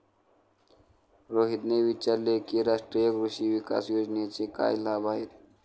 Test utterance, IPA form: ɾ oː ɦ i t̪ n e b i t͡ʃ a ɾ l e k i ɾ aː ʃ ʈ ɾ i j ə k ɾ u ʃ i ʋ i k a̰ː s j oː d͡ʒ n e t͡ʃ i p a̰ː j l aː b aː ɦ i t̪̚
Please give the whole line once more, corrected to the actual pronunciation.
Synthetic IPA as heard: ɾ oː ɦ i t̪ n e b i t͡ʃ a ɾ l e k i ɾ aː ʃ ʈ ɾ i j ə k ɾ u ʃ i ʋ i k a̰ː s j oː d͡ʒ n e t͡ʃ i k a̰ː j l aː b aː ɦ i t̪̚